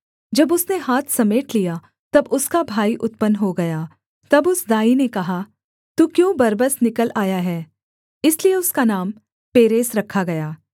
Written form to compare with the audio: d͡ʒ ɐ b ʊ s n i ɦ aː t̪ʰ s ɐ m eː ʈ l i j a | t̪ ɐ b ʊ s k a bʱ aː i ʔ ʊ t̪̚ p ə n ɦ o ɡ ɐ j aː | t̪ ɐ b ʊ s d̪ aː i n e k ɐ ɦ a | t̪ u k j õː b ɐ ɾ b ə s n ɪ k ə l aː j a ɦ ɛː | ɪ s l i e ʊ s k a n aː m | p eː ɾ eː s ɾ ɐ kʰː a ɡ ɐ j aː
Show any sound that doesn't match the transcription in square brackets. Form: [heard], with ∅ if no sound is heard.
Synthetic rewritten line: d͡ʒ ɐ b ʊ s n [e] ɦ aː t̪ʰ s ɐ m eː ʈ l i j a | t̪ ɐ b ʊ s k a bʱ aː i ʔ ʊ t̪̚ p ə n ɦ o ɡ ɐ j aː | t̪ ɐ b ʊ s d̪ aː i n e k ɐ ɦ a | t̪ u k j õː b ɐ ɾ b ə s n ɪ k ə l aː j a ɦ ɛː | ɪ s l i e ʊ s k a n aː m | p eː ɾ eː s ɾ ɐ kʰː a ɡ ɐ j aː